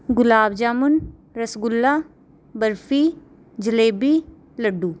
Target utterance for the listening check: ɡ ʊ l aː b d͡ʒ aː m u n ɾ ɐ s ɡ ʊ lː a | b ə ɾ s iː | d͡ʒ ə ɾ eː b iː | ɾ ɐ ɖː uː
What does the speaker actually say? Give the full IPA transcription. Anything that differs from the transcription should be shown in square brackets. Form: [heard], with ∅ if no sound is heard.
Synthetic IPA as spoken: ɡ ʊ l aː b d͡ʒ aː m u n ɾ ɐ s ɡ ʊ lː a | b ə ɾ [f] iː | d͡ʒ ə [l] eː b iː | [l] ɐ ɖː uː